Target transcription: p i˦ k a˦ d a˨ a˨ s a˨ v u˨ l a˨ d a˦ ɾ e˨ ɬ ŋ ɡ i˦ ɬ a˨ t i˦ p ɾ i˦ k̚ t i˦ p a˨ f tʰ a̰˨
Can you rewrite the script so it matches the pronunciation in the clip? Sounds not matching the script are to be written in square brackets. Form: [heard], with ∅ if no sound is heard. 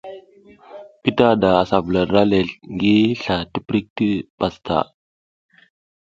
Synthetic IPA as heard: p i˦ [t] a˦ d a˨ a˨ s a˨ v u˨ l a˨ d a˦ [l] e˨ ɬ ŋ ɡ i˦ ɬ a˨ t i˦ p ɾ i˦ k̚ t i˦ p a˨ [s] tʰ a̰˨